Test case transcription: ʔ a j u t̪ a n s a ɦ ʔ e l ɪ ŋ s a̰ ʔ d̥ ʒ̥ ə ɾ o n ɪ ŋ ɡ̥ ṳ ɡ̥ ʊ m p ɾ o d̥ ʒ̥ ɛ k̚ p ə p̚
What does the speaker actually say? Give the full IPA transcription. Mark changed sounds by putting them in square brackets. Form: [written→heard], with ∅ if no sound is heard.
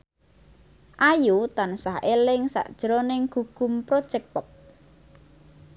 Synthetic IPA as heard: ʔ a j u t̪ a n s a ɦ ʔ e l ɪ ŋ s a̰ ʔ d̥ ʒ̥ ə ɾ o n ɪ ŋ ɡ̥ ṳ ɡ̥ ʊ m p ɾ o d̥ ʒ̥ ɛ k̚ p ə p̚